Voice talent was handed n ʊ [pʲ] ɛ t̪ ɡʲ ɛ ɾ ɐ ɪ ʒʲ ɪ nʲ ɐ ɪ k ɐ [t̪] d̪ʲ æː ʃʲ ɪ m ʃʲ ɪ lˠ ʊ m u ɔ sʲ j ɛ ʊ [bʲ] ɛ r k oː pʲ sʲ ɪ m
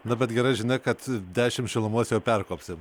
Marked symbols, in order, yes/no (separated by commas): no, yes, no